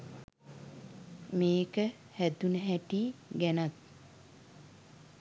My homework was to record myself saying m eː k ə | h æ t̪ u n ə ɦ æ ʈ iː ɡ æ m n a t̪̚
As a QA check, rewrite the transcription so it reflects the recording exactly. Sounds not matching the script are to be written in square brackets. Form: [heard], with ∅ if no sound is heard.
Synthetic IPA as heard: m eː k ə | h æ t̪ u n ə ɦ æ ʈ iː ɡ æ [∅] n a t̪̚